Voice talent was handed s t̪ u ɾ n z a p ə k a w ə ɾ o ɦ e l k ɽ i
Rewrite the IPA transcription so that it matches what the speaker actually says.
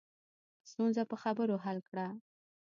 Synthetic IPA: s t̪ u n z a p ə x a b ə ɾ o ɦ a l k ɽ a